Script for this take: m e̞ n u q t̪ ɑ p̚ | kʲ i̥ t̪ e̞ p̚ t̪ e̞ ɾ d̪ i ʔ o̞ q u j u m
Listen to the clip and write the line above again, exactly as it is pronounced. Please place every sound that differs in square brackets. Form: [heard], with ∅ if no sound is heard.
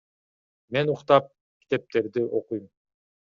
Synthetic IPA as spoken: m e̞ n u q t̪ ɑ p̚ | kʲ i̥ t̪ e̞ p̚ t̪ e̞ ɾ d̪ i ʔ o̞ q u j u m